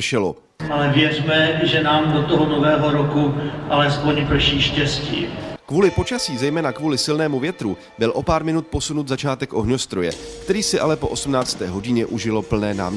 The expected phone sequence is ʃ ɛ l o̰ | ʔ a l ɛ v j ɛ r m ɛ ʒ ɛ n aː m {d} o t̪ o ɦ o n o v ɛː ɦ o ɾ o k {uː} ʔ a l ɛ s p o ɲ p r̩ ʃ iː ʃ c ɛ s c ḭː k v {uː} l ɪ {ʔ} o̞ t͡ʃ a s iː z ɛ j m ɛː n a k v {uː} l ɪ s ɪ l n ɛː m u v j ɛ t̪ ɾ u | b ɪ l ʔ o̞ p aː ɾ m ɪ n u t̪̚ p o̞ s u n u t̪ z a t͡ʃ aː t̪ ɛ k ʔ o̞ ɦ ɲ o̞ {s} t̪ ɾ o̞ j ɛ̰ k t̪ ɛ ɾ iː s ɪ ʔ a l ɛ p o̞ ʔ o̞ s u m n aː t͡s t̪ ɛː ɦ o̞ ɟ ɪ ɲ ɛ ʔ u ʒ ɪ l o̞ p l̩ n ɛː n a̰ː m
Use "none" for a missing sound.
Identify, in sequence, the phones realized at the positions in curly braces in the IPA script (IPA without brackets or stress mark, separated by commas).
d, u, uː, p, uː, s